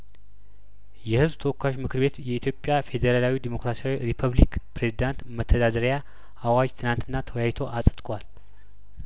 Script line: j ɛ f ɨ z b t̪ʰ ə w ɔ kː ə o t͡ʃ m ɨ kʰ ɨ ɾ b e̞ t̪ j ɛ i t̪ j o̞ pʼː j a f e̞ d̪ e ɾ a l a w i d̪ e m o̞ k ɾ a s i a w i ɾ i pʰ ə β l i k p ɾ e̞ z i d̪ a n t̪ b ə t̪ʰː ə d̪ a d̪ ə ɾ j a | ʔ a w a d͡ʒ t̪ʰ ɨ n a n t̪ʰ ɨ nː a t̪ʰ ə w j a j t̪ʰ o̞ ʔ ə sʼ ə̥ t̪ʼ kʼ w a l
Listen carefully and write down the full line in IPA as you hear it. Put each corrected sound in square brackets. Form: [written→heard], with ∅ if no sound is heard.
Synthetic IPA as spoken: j ɛ [f→h] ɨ z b t̪ʰ ə w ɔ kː [ə→a] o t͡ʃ m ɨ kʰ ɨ ɾ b e̞ t̪ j ɛ i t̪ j o̞ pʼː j a f e̞ d̪ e ɾ a l a w i d̪ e m o̞ k ɾ a s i a w i ɾ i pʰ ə β l i k p ɾ e̞ z i d̪ a n t̪ [b→m] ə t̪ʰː ə d̪ a d̪ ə ɾ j a | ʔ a w a d͡ʒ t̪ʰ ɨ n a n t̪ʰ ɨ nː a t̪ʰ ə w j a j t̪ʰ o̞ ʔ [ə→a] sʼ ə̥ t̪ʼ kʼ w a l